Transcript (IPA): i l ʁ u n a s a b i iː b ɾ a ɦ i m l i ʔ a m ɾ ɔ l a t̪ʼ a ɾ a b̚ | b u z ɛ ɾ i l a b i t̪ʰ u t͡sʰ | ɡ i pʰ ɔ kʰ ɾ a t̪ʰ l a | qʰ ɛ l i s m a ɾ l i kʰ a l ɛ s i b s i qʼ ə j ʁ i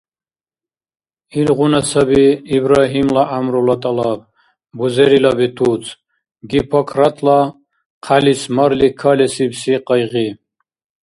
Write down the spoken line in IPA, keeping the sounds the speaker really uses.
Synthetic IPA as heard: i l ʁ u n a s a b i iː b ɾ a ɦ i m l a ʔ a m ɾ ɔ l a t̪ʼ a l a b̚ | b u z ɛ ɾ i l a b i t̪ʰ u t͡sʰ | ɡ i pʰ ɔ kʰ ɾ a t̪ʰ l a | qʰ a l i s m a ɾ l i kʰ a l ɛ s i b s i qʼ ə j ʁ i